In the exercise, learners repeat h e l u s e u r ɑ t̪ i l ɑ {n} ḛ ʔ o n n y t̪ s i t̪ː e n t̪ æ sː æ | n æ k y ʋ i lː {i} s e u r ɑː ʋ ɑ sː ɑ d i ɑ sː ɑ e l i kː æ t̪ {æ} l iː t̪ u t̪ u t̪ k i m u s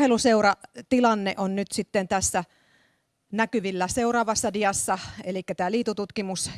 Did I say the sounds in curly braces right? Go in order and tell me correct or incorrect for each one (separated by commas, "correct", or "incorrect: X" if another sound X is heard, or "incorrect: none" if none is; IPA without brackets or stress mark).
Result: incorrect: nː, incorrect: æ, incorrect: æː